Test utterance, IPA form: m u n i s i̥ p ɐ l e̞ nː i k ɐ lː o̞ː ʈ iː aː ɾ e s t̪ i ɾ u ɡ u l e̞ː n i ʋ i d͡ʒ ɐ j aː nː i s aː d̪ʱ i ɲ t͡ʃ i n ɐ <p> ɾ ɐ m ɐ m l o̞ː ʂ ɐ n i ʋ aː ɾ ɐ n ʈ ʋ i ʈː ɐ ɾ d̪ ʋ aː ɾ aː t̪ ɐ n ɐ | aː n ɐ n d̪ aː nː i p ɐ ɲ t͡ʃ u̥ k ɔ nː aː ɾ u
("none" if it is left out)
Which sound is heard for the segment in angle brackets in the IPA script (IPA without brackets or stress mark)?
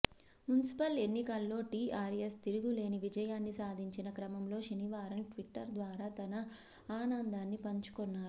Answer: k